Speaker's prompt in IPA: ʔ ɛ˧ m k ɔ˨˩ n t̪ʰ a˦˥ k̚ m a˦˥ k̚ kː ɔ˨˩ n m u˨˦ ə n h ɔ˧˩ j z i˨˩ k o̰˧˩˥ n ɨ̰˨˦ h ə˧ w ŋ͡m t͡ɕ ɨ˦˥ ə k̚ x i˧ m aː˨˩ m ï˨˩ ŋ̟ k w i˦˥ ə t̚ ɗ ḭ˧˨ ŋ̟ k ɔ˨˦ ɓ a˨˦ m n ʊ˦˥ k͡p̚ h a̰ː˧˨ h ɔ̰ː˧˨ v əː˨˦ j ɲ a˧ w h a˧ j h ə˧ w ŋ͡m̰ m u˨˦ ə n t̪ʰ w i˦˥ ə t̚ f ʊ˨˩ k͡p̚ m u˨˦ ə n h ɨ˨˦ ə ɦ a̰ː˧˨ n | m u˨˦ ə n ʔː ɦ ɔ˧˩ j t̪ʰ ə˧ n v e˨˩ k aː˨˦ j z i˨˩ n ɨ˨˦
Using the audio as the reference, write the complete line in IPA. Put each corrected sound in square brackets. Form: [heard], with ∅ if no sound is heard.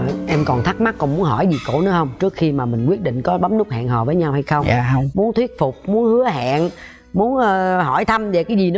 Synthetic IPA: ʔ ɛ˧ m k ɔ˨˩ n t̪ʰ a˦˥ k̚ m a˦˥ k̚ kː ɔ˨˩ n m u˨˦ ə n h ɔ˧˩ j z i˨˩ k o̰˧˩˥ n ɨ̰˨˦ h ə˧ w ŋ͡m t͡ɕ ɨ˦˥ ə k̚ x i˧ m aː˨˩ m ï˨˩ ŋ̟ k w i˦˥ ə t̚ ɗ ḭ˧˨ ŋ̟ k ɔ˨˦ ɓ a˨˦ m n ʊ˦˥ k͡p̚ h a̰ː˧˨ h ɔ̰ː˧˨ v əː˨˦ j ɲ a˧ w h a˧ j [x] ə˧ w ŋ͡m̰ m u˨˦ ə n t̪ʰ w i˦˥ ə t̚ f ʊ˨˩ k͡p̚ m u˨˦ ə n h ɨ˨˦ ə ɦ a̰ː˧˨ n | m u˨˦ ə n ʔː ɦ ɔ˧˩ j t̪ʰ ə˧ [m] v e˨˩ k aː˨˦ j z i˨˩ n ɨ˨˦